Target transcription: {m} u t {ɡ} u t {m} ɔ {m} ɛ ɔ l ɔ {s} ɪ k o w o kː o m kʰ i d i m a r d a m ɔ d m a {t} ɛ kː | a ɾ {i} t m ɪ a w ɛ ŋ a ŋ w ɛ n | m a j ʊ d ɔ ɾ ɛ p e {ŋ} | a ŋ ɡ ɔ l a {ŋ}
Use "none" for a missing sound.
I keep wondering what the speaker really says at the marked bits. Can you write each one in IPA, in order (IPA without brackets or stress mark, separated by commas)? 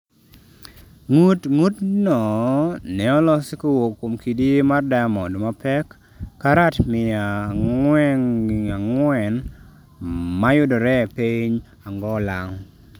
ŋ, ŋ, n, n, s, p, a, ɲ, ŋ